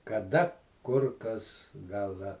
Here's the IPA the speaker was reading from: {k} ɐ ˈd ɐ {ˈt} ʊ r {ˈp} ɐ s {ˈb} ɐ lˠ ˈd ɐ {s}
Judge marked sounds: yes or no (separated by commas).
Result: yes, no, no, no, no